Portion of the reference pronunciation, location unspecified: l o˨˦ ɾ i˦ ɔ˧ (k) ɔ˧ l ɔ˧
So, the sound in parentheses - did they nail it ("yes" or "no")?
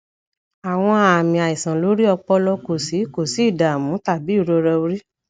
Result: no